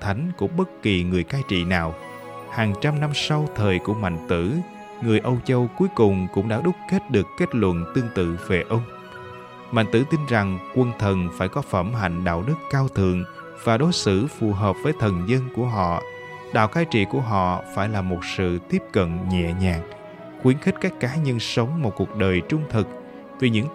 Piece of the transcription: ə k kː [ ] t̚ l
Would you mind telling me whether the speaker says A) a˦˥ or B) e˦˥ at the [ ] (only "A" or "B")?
B